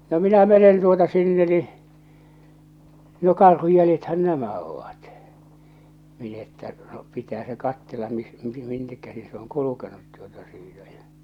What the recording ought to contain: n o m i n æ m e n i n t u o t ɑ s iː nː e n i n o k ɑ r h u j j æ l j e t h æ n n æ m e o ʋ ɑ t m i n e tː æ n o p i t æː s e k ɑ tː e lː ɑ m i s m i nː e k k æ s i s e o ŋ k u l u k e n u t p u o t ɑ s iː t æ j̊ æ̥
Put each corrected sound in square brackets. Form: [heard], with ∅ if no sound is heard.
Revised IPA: n o m i n æ m e n [e] n t u o t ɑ s [i] nː e n i n o k ɑ r h u j j æ l j e t h æ n n æ m [æ] o ʋ ɑ t m i n e tː æ n o p i t æː s e k ɑ tː e lː ɑ m i s m i nː e k k æ s i s e o ŋ k u l u k e n u t [t] u o t ɑ s iː t æ j̊ æ̥